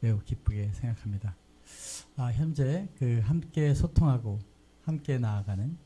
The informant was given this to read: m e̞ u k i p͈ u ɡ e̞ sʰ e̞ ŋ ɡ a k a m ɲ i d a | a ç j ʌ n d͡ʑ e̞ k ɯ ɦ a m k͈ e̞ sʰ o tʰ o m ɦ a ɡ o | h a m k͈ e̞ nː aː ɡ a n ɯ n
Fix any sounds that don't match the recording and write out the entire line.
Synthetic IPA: m e̞ u k i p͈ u ɡ e̞ sʰ e̞ ŋ ɡ a kʰ a m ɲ i d a | a ç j ʌ n d͡ʑ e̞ k ɯ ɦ a m k͈ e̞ sʰ o tʰ o ŋ ɦ a ɡ o | h a m k͈ e̞ n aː ɡ a n ɯ n